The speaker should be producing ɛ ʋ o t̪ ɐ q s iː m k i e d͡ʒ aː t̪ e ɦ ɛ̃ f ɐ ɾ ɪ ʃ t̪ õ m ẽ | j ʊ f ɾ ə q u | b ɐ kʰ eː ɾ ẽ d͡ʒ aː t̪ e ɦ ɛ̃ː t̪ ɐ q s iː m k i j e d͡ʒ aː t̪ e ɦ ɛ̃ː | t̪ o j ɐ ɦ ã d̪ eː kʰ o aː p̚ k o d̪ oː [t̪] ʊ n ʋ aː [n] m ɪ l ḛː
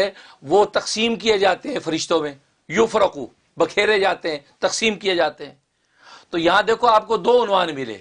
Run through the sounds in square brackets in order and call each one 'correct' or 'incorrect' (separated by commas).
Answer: incorrect, correct